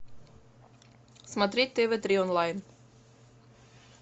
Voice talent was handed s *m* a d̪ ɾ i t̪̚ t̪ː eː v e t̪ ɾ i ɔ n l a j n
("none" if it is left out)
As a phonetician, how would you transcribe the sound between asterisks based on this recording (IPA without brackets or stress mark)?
m